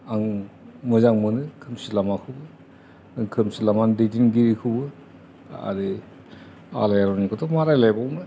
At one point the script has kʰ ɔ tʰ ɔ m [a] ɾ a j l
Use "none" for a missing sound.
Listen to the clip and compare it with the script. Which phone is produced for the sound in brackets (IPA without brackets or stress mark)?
a